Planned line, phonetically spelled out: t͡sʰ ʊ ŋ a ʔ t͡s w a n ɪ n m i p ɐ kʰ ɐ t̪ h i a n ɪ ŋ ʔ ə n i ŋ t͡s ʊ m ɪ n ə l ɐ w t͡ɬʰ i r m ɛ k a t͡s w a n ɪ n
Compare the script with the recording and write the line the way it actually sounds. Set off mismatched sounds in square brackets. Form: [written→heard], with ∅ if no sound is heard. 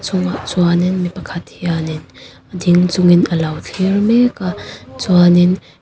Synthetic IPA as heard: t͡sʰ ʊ ŋ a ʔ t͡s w a n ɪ n m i p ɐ kʰ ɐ t̪ h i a n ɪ [ŋ→n] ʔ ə [n→d] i ŋ t͡s ʊ [m→ŋ] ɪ n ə l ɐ w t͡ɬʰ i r m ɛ k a t͡s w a n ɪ n